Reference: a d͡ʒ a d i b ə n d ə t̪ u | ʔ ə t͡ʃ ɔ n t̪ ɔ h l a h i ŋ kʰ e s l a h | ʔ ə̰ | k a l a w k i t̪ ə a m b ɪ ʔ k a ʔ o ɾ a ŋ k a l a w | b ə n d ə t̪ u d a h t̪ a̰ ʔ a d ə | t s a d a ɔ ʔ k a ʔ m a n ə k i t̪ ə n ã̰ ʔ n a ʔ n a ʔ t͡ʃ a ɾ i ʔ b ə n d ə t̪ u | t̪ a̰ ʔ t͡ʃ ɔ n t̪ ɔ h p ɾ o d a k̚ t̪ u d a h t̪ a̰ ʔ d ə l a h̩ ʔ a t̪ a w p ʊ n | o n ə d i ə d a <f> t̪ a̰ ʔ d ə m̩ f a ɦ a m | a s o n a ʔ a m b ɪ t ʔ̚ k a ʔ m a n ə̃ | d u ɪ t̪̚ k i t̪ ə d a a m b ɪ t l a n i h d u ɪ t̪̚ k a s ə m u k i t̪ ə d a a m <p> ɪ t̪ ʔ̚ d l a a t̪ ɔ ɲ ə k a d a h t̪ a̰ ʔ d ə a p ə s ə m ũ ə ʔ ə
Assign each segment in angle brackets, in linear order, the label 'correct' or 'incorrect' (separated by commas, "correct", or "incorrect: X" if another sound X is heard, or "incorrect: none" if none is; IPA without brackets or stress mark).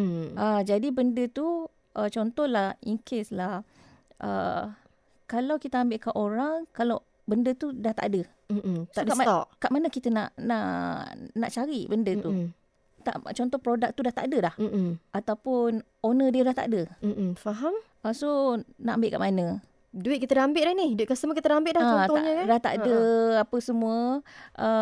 incorrect: h, incorrect: b